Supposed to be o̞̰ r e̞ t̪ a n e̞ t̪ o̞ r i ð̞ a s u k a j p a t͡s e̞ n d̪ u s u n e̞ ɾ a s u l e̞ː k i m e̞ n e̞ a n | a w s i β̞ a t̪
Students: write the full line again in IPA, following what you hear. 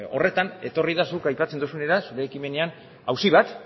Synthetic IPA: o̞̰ r e̞ t̪ a n e̞ t̪ o̞ r i ð̞ a s u k a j p a t͡s e̞ n d̪ u s u n e̞ ɾ a s u ɾ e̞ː k i m e̞ n e̞ a n | a w s i β̞ a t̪